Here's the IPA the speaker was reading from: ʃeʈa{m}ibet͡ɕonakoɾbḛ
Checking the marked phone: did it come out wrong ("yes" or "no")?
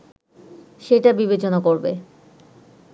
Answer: yes